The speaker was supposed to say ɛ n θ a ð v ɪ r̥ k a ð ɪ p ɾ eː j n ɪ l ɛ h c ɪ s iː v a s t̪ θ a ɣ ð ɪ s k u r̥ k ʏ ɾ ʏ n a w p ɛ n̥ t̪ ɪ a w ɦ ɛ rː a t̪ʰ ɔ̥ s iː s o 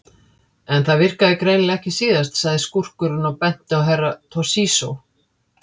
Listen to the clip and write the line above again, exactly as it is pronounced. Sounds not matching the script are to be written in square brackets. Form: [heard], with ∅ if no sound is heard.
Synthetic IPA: ɛ n θ a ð v ɪ r̥ k a ð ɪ [k] ɾ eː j n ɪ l ɛ h c ɪ s iː [ð] a s t̪ [s] a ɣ ð ɪ s k u r̥ k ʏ ɾ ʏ n a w p ɛ n̥ t̪ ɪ a w ɦ ɛ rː a t̪ʰ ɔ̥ s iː s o